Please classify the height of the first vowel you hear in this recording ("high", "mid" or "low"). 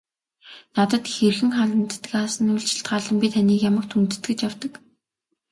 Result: low